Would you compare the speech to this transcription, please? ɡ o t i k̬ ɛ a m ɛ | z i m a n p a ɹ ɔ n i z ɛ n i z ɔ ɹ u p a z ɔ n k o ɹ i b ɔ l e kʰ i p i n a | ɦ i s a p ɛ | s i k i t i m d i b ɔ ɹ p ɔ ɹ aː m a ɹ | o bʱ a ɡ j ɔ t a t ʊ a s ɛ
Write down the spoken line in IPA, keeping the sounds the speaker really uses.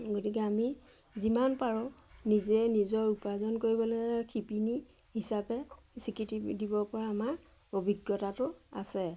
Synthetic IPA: ɡ o t i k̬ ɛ a m i | z i m a n p a ɹ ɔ n i z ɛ n i z ɔ ɹ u p a z ɔ n k o ɹ i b ɔ l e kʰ i p i n i | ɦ i s a p ɛ | s i k i t i d i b ɔ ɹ p ɔ ɹ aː m a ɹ | o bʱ i ɡ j ɔ t a t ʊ a s ɛ